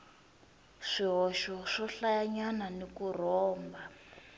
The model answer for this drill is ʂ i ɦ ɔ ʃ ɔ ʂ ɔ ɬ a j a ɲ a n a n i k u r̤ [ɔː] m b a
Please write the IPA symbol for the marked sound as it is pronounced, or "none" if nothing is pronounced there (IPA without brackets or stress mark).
ɔː